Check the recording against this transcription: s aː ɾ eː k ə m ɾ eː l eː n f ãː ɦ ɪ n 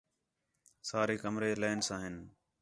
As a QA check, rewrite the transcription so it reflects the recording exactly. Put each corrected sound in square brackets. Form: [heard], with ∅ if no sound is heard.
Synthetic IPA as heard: s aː ɾ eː k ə m ɾ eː l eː n [s] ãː ɦ ɪ n